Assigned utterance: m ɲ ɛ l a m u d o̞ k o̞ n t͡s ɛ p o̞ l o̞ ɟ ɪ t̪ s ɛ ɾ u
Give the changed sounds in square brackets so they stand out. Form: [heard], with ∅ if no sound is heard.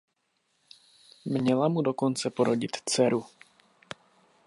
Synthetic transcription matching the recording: m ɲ ɛ l a m u d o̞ k o̞ n t͡s ɛ p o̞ [ɾ] o̞ ɟ ɪ t̪ [t͡s] ɛ ɾ u